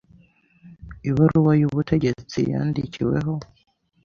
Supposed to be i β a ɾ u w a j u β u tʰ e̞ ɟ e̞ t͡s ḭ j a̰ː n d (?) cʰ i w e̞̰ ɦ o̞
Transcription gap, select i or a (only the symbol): i